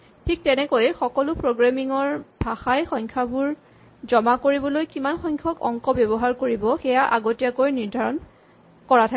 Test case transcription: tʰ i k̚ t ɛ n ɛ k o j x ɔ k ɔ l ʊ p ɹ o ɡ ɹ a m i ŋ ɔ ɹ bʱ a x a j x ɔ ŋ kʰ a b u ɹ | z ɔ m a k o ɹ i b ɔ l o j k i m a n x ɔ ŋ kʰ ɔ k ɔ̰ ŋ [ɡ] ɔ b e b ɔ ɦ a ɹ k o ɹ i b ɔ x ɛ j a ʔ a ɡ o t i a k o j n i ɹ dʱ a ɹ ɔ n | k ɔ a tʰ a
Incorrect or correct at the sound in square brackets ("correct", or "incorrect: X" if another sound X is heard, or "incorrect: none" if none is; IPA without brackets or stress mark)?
incorrect: k